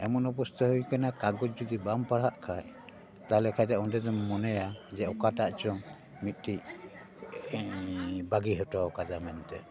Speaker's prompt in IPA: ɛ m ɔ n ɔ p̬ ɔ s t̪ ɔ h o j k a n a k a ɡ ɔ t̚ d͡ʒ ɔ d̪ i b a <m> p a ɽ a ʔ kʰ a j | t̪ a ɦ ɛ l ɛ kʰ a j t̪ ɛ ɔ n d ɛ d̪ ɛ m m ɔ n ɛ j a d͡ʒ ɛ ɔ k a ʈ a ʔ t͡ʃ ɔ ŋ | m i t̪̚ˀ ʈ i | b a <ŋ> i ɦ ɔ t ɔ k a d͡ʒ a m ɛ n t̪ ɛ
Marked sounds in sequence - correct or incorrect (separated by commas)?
correct, incorrect